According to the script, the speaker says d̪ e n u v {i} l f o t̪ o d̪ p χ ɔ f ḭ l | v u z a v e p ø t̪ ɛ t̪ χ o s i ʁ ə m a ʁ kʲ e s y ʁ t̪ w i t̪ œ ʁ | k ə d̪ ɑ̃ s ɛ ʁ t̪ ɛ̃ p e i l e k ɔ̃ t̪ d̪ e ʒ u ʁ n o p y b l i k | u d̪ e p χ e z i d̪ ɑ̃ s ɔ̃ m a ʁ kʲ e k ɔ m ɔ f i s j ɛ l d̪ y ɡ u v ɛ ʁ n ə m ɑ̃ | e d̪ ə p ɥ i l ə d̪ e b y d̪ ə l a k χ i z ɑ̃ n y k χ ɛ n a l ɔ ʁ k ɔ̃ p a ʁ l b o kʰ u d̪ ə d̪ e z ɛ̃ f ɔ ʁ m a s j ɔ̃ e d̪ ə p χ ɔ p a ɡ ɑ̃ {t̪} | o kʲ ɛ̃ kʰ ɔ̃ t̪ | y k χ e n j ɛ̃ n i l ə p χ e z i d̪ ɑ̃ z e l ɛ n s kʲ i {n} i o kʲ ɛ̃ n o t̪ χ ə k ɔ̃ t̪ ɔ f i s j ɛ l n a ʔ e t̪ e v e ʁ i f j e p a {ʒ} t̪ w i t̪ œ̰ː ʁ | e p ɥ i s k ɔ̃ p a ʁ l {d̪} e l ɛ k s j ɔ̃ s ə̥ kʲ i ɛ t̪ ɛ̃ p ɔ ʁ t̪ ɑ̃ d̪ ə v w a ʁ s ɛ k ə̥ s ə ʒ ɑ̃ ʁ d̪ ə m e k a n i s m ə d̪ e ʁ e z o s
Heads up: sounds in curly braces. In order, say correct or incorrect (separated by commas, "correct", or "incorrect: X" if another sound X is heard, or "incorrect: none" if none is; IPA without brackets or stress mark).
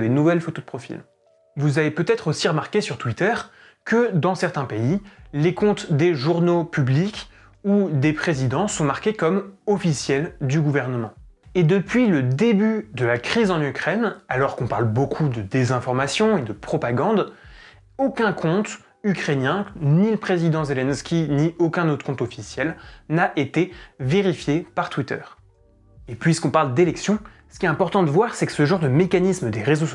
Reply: incorrect: ɛ, incorrect: d̪, correct, incorrect: ʁ, correct